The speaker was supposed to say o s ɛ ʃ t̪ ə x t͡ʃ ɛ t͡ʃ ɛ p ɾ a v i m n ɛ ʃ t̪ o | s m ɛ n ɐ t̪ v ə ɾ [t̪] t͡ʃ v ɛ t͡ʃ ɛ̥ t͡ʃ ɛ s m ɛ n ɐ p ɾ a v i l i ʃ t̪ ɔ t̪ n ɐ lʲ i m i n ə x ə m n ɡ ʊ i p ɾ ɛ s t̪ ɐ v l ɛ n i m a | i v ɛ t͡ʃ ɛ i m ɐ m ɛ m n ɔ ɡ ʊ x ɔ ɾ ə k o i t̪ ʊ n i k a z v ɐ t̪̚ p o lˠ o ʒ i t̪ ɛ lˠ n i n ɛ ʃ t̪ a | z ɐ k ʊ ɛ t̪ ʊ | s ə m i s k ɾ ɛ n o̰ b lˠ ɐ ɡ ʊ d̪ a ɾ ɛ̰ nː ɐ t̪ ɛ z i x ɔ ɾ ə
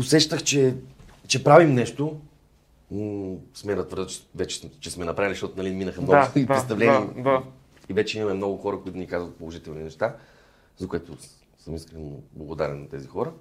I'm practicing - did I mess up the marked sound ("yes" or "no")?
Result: yes